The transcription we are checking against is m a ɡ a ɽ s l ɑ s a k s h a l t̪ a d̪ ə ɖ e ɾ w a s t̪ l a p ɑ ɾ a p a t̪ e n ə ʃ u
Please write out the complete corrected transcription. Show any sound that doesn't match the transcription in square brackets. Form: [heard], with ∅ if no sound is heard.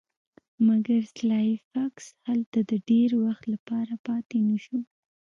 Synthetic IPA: m a ɡ a [ɾ] s l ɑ [f] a k s h a l t̪ a d̪ ə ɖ e ɾ w a [x] t̪ l a p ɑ ɾ a p [ɑ] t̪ e n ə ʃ u